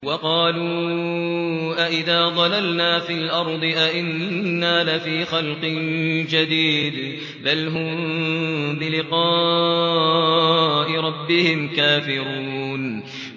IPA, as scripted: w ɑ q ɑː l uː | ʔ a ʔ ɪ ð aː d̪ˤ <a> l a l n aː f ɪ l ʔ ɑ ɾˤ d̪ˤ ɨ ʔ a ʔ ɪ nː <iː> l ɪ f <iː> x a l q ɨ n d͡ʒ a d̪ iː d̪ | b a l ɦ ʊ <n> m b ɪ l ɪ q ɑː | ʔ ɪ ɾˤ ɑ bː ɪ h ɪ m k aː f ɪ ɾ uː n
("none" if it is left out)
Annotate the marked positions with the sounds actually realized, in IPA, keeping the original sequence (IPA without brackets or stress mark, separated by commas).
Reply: ɑ, aː, iː, m